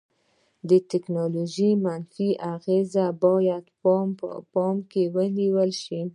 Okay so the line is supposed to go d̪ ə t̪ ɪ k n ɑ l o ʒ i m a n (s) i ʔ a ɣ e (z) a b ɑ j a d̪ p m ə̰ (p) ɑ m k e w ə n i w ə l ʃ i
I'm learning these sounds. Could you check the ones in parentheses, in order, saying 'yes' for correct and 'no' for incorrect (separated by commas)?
no, yes, yes